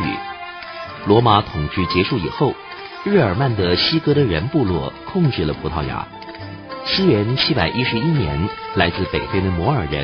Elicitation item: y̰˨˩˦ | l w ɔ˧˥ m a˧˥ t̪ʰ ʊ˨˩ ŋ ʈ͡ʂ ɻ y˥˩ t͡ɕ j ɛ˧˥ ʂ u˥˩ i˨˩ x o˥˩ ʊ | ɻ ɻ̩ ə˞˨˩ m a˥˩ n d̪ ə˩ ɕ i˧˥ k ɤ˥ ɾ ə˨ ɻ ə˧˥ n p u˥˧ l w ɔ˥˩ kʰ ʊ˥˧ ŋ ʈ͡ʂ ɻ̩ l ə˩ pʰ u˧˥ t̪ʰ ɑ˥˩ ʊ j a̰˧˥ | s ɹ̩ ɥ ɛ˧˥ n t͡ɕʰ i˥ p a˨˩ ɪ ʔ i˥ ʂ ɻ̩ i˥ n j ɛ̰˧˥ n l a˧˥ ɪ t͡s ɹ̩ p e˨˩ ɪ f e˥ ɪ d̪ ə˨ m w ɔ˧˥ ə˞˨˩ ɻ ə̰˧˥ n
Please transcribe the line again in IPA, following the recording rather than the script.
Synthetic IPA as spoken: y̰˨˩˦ | l w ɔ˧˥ m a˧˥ t̪ʰ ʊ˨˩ ŋ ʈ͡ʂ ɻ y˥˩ t͡ɕ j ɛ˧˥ ʂ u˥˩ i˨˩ x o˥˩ ʊ | ɻ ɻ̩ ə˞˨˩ m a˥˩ n d̪ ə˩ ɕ i˥ k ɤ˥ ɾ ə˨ ɻ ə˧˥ n p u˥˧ l w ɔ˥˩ kʰ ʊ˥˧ ŋ ʈ͡ʂ ɻ̩ l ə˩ pʰ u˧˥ t̪ʰ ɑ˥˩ ʊ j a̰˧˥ | s ɹ̩ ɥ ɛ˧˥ n t͡ɕʰ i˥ p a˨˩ ɪ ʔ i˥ ʂ ɻ̩ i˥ n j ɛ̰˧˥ n l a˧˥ ɪ t͡s ɹ̩ p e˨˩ ɪ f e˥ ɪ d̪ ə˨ m w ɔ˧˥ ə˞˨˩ ɻ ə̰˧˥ n